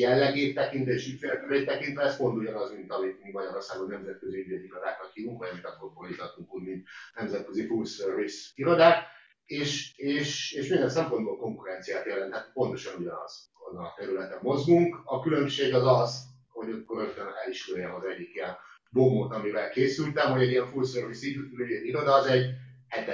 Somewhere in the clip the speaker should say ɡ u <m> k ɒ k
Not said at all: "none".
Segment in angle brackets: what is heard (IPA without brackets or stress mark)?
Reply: ŋ